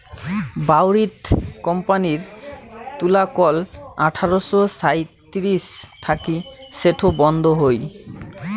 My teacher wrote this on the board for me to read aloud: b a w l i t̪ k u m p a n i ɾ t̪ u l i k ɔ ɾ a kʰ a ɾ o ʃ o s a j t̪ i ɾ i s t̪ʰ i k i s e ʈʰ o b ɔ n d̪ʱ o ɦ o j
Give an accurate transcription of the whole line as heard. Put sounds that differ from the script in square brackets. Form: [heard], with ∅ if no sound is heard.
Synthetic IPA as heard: b a w [ɾ] i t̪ k [ɔ] m p a n i ɾ t̪ u l [a] k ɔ [l] a [ʈʰ] a ɾ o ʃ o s a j t̪ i ɾ i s t̪ʰ [a] k i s e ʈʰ o b ɔ n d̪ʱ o ɦ o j